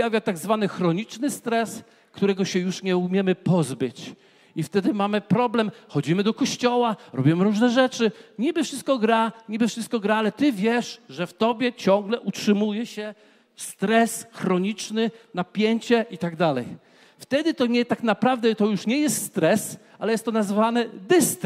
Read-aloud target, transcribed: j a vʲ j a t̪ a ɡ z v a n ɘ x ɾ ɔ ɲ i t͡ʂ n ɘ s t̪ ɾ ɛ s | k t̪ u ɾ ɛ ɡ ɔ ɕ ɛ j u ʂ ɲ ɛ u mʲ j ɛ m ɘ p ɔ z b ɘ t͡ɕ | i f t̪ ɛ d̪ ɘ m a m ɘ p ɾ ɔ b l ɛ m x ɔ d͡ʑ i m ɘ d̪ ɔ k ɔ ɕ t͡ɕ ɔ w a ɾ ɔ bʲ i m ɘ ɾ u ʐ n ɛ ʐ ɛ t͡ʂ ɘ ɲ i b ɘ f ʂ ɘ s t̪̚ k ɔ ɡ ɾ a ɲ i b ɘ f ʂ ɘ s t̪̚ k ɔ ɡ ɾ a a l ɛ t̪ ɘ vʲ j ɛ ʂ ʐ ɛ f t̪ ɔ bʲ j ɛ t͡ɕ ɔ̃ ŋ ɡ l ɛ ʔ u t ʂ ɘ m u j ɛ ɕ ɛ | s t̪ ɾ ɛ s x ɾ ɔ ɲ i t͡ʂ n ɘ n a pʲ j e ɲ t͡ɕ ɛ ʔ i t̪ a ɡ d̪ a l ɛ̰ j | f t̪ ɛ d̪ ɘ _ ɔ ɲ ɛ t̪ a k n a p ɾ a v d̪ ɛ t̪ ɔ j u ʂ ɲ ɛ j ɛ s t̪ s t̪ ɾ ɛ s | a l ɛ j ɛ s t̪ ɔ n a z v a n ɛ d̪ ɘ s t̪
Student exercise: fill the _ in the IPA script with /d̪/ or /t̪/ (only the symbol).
t̪